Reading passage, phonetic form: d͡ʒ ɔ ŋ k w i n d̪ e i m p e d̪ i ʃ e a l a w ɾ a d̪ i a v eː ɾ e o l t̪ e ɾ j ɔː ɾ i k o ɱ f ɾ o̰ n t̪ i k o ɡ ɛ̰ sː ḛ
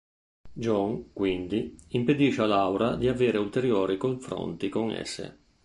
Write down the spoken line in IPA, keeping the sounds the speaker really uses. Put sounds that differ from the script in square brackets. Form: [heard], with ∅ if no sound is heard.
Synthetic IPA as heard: d͡ʒ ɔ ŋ k w i n d̪ [i] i m p e d̪ i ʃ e a l a w ɾ a d̪ i a v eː ɾ e [u] l t̪ e ɾ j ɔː ɾ i k o ɱ f ɾ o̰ n t̪ i k o [ŋ] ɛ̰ sː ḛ